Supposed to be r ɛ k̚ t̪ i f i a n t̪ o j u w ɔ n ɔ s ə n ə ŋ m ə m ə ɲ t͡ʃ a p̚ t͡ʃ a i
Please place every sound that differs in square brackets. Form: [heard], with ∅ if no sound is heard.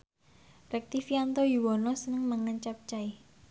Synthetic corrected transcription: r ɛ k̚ t̪ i f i a n t̪ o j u w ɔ n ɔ s ə n ə ŋ m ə [ŋ] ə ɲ t͡ʃ a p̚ t͡ʃ a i